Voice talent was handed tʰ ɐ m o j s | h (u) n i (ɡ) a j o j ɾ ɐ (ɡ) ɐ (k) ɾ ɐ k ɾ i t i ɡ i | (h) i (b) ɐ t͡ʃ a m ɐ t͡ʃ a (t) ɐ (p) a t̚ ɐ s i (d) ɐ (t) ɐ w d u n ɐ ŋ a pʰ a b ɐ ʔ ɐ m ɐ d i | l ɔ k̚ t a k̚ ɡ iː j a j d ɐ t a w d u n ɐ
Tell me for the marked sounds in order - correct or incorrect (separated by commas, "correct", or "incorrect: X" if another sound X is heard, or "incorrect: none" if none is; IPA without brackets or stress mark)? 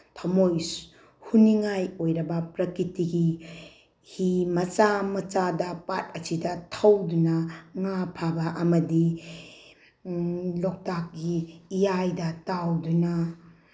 correct, incorrect: ŋ, incorrect: b, incorrect: p, correct, incorrect: m, incorrect: d, correct, correct, incorrect: tʰ